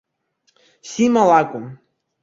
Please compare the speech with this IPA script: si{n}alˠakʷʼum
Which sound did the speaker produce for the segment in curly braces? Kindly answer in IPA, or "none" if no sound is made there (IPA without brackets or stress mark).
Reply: m